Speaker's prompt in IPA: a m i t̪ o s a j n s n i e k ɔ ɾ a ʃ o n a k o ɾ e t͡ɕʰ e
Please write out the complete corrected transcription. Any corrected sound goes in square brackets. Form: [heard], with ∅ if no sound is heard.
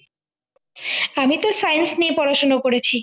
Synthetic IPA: a m i t̪ o s a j n s n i e [p] ɔ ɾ a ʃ o n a k o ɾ e t͡ɕʰ [i]

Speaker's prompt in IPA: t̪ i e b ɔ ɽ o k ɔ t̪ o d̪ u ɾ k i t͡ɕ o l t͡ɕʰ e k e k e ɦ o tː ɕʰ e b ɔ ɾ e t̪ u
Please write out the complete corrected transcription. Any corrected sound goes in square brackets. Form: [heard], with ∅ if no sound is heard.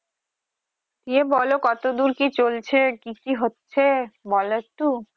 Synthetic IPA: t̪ i e b ɔ [l] o k ɔ t̪ o d̪ u ɾ k i t͡ɕ o l t͡ɕʰ e k [i] k [i] ɦ o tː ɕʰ e b ɔ [l] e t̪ u

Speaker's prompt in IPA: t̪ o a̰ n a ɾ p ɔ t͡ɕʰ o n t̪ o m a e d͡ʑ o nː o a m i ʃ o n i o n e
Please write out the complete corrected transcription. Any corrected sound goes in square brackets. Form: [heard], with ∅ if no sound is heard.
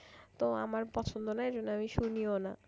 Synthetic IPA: t̪ o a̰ [m] a ɾ p ɔ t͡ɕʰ o n [d̪] o [n] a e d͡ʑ o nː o a m i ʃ [u] n i o n [a]

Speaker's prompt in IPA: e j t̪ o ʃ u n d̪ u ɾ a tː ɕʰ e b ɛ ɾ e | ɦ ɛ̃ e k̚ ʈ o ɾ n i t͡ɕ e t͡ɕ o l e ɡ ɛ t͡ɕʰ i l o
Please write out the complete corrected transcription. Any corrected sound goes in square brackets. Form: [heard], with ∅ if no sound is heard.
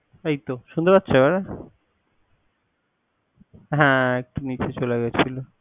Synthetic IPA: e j t̪ o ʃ u n d̪ [o] ɾ a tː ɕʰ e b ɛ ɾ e | ɦ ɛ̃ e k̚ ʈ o [∅] n i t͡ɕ e t͡ɕ o l e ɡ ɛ t͡ɕʰ i l o

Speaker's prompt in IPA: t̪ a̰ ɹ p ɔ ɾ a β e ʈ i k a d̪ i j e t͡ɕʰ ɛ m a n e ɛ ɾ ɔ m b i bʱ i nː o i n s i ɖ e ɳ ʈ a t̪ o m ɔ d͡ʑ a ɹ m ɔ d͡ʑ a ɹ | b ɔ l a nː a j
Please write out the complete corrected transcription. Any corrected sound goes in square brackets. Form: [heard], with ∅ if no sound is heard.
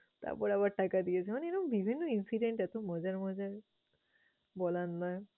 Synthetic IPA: t̪ a̰ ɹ p ɔ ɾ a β [a] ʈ [a] k a d̪ i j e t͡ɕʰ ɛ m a n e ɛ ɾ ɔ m b i bʱ i nː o i n s i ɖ e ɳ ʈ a t̪ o m ɔ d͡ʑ a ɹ m ɔ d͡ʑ a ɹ | b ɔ l a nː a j

